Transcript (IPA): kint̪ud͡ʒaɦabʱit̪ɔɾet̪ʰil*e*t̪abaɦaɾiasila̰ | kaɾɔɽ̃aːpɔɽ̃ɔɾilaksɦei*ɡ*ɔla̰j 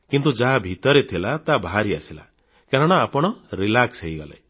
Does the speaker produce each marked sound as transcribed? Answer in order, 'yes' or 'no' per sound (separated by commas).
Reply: no, yes